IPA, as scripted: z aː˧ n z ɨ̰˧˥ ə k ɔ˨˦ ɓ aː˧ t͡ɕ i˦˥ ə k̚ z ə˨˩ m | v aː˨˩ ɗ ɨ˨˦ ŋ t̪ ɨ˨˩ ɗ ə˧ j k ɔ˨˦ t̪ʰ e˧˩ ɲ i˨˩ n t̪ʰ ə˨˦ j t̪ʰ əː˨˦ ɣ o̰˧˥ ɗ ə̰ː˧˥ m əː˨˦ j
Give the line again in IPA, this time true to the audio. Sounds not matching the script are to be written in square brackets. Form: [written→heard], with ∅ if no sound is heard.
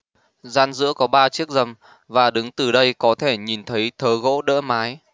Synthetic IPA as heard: z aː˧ n z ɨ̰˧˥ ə k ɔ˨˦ ɓ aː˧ t͡ɕ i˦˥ ə k̚ z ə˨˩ m | v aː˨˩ ɗ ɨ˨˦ ŋ t̪ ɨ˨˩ ɗ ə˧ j k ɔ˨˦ t̪ʰ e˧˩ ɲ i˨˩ n t̪ʰ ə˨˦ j t̪ʰ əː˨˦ ɣ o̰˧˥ ɗ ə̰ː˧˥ m [əː˨˦→aː˨˦] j